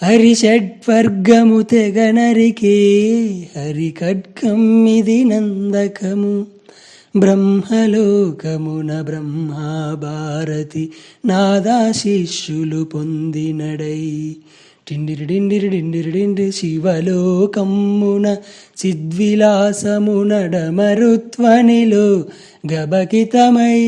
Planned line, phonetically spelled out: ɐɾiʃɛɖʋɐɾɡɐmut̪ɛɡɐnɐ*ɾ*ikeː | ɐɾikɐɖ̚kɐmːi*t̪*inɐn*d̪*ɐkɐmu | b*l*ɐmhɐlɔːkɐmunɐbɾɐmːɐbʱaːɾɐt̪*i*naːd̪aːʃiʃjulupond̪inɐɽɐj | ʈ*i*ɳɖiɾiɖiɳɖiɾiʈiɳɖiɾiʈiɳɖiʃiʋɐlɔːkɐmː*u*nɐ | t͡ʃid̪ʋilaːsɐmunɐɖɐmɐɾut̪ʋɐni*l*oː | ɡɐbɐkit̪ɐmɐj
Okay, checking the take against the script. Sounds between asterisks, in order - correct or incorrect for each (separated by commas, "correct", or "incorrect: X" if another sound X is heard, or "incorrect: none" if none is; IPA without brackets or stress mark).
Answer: correct, incorrect: d̪, correct, incorrect: ɾ, correct, correct, correct, correct